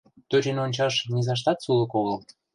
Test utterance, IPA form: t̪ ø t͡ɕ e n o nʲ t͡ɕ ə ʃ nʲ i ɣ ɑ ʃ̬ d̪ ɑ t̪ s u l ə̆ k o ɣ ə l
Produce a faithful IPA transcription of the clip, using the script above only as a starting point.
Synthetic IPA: t̪ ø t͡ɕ e n o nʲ t͡ɕ ɑ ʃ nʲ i z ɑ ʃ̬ t̪ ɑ t̪ s u l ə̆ k o ɣ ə l